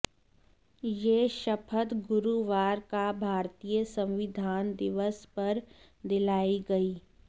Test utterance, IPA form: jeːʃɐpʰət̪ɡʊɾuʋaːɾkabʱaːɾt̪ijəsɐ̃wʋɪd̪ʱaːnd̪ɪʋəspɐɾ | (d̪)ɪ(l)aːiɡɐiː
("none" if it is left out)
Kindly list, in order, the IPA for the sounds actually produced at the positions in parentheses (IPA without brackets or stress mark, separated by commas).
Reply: d̪, l